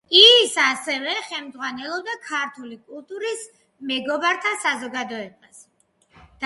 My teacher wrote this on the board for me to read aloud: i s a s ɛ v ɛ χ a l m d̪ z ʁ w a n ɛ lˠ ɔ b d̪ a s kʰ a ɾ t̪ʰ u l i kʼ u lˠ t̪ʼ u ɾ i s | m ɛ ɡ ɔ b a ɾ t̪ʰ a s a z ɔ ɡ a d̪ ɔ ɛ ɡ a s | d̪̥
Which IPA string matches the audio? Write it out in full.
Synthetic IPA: i s a s ɛ v ɛ χ ɛ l m d̪ z ʁ w a n ɛ lˠ ɔ b d̪ a kʰ a ɾ t̪ʰ u l i kʼ u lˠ t̪ʼ u ɾ i s | m ɛ ɡ ɔ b a ɾ t̪ʰ a s a z ɔ ɡ a d̪ ɔ ɛ b a s | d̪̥